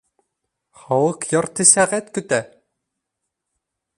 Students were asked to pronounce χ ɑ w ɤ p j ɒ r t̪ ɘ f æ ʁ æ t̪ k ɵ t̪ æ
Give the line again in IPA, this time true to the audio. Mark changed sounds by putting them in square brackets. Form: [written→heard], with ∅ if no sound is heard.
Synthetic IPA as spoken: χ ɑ w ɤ [p→q] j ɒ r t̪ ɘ [f→s] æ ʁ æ t̪ k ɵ t̪ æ